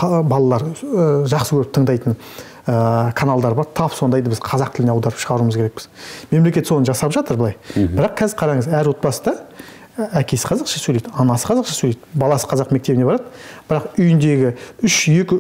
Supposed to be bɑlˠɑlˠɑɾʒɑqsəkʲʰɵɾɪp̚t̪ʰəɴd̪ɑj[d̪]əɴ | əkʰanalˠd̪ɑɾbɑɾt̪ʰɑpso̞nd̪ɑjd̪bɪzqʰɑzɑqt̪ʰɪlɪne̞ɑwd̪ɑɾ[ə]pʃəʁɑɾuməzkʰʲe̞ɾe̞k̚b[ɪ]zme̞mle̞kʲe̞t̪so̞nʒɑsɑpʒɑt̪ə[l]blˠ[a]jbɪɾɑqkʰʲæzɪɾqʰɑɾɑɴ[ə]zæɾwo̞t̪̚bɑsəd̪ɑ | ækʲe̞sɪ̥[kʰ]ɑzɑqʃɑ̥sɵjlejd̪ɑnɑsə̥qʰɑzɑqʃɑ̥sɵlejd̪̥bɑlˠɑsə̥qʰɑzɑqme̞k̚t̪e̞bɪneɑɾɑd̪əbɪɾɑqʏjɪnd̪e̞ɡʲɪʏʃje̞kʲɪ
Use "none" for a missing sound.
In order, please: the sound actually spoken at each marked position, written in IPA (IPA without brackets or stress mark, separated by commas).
t̪, ə, ɪ, ɾ, ɑ, ə, qʰ